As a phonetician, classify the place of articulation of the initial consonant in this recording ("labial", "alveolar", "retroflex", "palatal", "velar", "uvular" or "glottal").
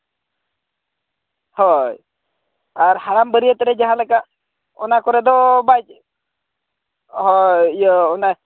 glottal